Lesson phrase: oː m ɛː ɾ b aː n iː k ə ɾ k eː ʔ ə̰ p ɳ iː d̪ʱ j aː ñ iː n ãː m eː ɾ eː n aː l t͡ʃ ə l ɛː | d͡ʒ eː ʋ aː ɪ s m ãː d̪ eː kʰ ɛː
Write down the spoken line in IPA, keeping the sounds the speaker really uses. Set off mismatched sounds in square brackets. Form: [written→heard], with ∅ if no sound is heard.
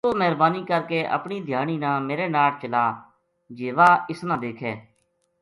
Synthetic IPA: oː m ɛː ɾ b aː n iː k ə ɾ k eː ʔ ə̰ p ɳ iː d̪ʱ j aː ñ iː n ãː m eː ɾ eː n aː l t͡ʃ ə l [ɛː→aː] | d͡ʒ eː ʋ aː ɪ s [m→n] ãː d̪ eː kʰ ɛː